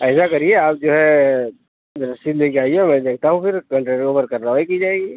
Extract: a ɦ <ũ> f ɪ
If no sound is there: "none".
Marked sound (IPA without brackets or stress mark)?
ũ